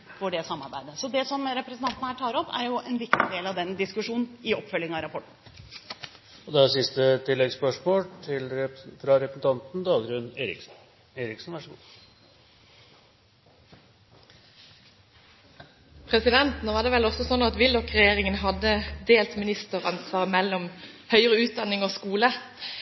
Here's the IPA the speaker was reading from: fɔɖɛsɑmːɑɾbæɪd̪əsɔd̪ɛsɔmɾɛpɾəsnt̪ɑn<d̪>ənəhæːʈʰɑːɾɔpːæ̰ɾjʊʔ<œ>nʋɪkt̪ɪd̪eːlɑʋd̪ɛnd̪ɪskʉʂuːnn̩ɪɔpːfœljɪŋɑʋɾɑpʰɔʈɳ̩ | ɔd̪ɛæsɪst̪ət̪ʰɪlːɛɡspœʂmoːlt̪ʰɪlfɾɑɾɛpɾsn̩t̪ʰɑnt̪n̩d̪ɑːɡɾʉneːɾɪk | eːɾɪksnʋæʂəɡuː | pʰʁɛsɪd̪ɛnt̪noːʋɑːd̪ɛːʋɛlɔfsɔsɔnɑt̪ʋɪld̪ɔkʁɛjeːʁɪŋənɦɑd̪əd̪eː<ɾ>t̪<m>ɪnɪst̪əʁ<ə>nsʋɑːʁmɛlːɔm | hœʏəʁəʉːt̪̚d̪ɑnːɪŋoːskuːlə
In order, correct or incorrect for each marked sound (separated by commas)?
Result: incorrect, incorrect, incorrect, correct, incorrect